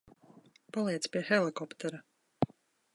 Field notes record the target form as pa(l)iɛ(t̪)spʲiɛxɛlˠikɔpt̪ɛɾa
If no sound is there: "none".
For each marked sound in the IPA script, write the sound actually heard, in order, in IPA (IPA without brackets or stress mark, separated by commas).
l, t̪